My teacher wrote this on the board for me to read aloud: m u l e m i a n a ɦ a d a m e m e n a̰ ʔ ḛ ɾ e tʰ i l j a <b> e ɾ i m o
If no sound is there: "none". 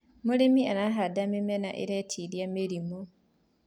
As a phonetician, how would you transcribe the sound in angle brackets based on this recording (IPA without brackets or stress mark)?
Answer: m